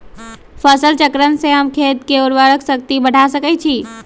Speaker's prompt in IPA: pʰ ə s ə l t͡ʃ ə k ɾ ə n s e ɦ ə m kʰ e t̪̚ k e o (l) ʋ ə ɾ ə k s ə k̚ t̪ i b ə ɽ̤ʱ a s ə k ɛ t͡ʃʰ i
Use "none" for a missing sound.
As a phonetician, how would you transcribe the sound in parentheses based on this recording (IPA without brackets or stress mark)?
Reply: ɾ